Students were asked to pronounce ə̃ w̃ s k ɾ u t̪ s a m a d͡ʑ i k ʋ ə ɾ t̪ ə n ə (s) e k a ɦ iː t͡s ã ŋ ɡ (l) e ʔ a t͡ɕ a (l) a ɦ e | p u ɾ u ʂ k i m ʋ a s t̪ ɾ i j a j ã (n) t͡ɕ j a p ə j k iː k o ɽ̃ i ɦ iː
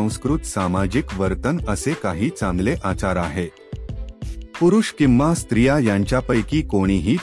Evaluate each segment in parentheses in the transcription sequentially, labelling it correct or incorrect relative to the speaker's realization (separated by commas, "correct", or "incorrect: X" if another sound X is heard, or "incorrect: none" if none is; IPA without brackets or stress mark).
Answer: correct, correct, incorrect: ɾ, incorrect: ɲ